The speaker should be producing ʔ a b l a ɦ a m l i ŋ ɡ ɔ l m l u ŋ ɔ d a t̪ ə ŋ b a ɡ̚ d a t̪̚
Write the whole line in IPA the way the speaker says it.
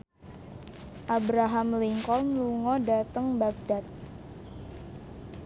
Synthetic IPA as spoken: ʔ a b ɾ a ɦ a m l i ŋ k ɔ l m l u ŋ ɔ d a t̪ ə ŋ b a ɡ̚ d a t̪̚